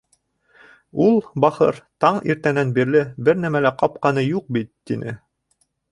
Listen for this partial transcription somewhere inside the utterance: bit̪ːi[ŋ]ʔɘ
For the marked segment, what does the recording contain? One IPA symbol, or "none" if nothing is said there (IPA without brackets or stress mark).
n